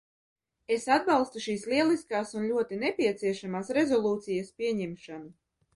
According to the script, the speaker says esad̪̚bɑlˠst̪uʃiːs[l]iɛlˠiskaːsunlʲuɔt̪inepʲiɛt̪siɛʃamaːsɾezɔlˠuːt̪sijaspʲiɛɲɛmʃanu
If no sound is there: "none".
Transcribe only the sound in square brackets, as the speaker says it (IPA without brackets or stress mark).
l